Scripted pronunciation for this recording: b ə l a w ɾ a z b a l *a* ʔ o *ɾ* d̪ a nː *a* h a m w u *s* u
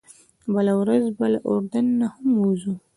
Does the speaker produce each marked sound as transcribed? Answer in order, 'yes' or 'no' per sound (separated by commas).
yes, yes, yes, no